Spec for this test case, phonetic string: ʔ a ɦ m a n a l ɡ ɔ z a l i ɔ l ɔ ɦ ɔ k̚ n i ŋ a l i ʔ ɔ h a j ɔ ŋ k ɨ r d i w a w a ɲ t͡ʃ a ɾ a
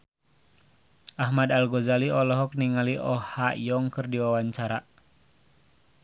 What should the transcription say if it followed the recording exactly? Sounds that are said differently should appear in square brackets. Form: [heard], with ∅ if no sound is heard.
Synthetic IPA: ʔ a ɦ m a [d] a l ɡ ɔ z a l i ɔ l ɔ ɦ ɔ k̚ n i ŋ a l i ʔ ɔ h a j ɔ ŋ k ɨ r d i w a w a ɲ t͡ʃ a ɾ a